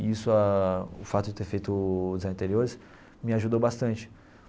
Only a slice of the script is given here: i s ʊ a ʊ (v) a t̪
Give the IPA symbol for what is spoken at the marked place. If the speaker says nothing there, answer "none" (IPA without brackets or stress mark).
f